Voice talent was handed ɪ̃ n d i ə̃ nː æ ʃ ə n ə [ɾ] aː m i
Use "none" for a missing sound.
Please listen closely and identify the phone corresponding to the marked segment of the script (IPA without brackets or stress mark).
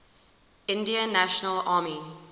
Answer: l